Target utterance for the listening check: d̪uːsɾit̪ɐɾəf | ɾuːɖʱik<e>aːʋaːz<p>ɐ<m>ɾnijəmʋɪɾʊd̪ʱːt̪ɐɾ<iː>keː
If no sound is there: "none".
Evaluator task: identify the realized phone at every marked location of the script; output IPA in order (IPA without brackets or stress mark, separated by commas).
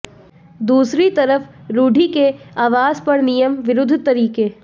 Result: e, p, none, iː